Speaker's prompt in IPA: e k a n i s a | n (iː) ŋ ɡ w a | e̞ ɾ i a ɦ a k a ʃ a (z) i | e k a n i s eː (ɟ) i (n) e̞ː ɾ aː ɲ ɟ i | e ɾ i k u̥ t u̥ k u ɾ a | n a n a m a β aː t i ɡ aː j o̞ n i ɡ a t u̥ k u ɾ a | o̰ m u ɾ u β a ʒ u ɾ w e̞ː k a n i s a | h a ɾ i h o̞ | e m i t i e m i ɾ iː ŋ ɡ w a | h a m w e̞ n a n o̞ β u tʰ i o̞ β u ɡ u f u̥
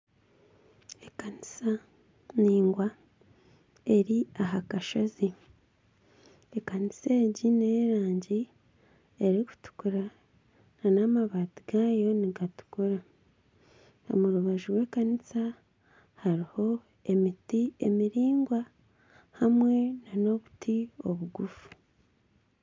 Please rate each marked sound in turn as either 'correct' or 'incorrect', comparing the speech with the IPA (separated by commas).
correct, correct, correct, correct